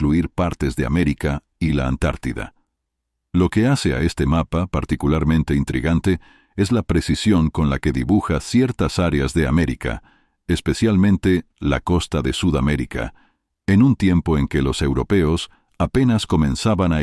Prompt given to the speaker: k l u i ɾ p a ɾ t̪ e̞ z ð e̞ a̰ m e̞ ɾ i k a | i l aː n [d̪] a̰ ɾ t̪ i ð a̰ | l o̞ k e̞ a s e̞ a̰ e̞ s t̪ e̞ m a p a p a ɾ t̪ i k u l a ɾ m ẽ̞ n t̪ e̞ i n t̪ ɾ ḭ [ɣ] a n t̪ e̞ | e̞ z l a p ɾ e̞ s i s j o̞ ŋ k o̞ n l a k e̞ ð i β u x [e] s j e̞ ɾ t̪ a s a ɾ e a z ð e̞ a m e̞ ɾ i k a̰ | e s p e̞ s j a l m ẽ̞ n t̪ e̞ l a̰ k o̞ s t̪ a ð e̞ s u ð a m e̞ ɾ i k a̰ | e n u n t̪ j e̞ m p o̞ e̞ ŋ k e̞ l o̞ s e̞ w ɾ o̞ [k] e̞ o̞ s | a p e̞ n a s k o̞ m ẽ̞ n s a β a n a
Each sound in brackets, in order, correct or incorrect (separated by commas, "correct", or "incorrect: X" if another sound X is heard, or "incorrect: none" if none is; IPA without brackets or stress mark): incorrect: t̪, correct, incorrect: a, incorrect: p